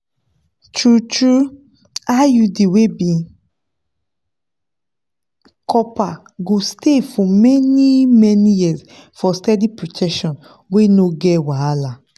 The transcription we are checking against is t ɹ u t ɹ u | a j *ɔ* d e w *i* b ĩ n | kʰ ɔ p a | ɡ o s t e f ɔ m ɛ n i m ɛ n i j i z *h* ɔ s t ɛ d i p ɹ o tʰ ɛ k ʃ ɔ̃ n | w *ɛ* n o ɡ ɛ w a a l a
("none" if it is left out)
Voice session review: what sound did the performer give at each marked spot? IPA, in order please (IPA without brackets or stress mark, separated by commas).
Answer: u, e, f, e